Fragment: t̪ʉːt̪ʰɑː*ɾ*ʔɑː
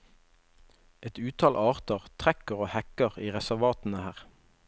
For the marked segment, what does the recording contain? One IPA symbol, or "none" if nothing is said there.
l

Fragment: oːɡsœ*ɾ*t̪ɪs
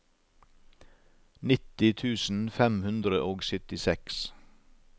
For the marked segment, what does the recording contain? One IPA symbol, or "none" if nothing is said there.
none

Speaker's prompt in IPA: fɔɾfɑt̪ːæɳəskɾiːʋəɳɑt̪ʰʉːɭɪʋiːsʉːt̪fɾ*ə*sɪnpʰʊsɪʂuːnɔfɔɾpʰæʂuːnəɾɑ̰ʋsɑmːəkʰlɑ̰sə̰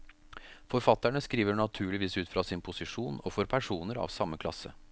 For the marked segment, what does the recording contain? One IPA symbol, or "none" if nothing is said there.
ɑ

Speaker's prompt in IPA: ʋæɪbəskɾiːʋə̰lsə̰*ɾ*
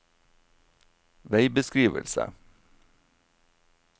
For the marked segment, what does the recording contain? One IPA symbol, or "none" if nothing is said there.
none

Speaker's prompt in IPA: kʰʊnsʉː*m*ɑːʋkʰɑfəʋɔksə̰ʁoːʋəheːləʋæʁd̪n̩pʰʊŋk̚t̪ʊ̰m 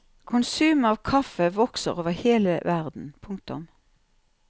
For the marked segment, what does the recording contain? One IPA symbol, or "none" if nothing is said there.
m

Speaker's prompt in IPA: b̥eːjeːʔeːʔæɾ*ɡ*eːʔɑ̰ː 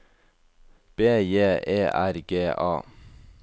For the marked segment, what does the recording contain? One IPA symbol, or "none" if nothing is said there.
ɡ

